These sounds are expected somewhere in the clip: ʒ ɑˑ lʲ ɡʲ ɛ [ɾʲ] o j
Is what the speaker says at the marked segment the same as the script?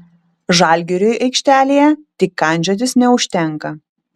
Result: yes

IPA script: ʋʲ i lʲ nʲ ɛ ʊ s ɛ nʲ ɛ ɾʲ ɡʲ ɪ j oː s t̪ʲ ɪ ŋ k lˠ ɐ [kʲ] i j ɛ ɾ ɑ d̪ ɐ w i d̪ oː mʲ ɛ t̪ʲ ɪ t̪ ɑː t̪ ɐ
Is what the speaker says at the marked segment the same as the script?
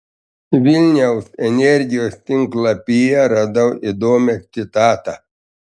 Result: no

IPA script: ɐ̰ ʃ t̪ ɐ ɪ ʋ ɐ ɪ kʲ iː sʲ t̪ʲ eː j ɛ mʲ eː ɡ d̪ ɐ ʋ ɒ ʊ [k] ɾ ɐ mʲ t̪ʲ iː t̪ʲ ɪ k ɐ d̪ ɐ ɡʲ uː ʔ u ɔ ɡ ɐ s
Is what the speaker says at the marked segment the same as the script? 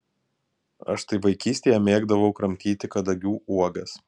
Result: yes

